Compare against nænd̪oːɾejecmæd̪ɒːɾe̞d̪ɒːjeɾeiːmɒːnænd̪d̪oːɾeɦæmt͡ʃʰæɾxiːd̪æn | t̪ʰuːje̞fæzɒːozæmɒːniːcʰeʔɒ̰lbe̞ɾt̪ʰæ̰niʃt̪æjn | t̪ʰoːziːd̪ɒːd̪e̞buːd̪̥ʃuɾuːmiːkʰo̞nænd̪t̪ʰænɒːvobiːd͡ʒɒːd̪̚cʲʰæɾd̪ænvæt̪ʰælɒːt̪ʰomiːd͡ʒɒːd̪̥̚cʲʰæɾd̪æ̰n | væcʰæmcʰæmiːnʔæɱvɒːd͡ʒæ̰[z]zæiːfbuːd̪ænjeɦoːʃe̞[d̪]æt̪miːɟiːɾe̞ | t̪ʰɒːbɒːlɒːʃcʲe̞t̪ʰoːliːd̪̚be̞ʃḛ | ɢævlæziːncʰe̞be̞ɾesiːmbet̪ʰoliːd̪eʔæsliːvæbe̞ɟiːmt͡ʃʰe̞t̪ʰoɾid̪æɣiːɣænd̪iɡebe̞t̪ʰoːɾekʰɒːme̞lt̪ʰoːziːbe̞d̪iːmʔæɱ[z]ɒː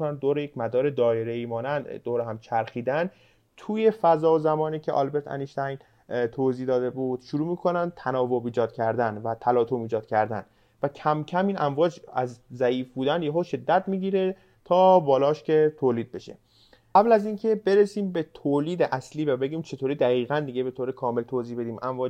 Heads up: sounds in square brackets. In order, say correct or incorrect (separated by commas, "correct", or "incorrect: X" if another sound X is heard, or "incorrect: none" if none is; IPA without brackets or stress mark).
correct, incorrect: d̪ː, incorrect: v